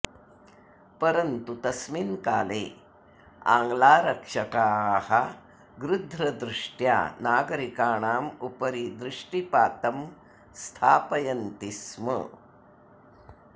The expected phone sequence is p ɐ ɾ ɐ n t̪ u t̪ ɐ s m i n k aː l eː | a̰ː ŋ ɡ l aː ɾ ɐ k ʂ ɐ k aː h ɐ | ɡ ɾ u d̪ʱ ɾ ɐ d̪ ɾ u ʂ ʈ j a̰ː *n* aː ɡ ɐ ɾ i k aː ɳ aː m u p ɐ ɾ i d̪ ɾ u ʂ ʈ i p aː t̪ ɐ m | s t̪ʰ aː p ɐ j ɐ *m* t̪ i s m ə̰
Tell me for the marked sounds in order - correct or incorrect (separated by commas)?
correct, incorrect